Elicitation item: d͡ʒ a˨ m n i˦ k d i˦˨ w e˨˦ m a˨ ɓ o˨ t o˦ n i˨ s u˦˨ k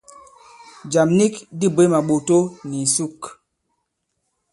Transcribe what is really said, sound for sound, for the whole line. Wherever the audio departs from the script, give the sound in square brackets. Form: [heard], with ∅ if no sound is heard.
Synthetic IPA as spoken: d͡ʒ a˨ m n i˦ k d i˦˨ [b] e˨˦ m a˨ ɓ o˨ t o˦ n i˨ s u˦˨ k